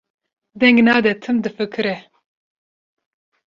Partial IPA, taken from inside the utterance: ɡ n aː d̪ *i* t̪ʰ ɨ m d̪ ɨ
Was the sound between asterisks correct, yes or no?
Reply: no